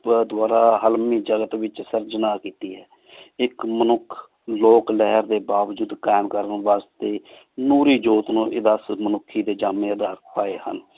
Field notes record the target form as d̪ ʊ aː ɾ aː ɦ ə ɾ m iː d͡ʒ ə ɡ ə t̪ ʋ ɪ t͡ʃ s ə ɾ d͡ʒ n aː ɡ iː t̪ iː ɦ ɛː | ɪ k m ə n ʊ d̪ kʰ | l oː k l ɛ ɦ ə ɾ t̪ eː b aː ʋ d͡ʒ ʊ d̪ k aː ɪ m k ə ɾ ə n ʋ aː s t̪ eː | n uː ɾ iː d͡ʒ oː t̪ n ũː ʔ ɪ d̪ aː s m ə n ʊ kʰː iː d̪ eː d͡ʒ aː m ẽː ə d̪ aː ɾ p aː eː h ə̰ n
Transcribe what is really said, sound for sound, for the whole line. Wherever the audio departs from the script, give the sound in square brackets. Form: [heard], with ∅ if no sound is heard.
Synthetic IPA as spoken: d̪ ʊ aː ɾ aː ɦ ə [l] m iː d͡ʒ ə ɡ ə t̪ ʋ ɪ t͡ʃ s ə ɾ d͡ʒ n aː [k] iː t̪ iː ɦ ɛː | ɪ k m ə n ʊ [∅] kʰ | l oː k l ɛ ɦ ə ɾ [d̪] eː b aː ʋ d͡ʒ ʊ d̪ k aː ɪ m k ə ɾ ə n ʋ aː s t̪ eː | n uː ɾ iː d͡ʒ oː t̪ n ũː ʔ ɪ d̪ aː s m ə n ʊ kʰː iː d̪ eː d͡ʒ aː m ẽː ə d̪ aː ɾ p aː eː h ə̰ n